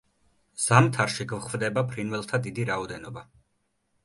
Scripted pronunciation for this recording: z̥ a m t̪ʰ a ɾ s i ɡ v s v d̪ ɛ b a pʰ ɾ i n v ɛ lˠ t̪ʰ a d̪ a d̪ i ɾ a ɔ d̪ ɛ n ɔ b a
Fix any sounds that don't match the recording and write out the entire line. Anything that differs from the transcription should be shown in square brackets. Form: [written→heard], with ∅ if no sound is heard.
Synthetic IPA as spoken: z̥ a m t̪ʰ a ɾ [s→ʃ] i ɡ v [s→χ] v d̪ ɛ b a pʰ ɾ i n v ɛ lˠ t̪ʰ a d̪ [a→i] d̪ i ɾ a ɔ d̪ ɛ n ɔ b a